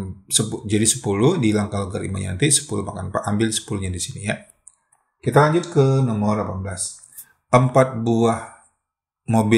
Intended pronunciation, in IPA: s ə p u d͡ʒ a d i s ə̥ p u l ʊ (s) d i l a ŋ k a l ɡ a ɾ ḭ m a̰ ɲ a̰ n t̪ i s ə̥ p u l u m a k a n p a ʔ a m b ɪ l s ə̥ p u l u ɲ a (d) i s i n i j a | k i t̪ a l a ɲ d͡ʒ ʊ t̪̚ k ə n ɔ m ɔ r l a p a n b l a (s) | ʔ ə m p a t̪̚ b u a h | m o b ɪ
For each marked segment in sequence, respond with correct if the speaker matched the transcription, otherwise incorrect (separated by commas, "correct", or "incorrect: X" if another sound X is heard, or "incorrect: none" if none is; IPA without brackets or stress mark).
incorrect: h, correct, correct